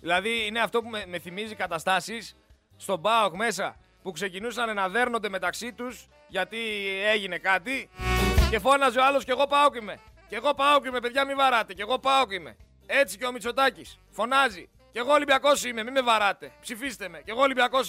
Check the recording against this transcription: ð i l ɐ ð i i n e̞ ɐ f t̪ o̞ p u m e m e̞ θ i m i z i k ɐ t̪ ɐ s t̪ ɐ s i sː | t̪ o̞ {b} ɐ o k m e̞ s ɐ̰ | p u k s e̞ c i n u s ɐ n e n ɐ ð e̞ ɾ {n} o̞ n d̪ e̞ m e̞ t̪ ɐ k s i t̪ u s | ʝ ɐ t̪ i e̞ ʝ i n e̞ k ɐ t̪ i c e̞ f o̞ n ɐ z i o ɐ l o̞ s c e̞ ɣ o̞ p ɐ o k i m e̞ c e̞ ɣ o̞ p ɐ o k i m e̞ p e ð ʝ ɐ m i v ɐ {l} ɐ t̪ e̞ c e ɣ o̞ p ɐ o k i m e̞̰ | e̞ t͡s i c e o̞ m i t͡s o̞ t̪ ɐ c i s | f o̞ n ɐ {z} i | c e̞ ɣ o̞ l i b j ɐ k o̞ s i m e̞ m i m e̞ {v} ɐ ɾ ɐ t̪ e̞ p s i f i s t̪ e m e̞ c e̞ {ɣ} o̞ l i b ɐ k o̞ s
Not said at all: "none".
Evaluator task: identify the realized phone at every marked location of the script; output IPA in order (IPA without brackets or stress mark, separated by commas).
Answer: b, n, ɾ, z, v, ɣ